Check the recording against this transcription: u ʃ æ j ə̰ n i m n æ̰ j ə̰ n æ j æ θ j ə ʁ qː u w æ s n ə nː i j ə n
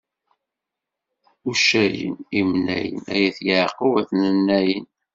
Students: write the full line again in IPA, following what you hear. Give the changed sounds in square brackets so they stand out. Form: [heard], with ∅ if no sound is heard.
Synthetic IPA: u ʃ æ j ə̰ n i m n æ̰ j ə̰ n æ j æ θ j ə [ʕ] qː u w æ [θ] n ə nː [æ] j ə n